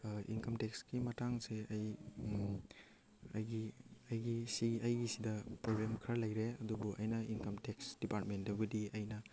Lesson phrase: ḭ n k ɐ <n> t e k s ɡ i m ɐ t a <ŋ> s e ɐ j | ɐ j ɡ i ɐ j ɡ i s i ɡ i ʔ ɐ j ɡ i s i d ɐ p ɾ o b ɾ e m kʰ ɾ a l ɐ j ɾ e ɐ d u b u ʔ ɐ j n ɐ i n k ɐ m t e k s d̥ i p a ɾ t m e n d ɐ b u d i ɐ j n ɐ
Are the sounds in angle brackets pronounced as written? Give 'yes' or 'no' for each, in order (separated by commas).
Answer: no, yes